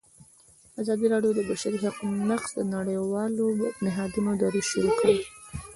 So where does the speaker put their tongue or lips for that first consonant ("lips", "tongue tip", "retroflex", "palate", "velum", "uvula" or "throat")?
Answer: tongue tip